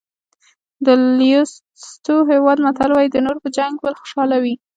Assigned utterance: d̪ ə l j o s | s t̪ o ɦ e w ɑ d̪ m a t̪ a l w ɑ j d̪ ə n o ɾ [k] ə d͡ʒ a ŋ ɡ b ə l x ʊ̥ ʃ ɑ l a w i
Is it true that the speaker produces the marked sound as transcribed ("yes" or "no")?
no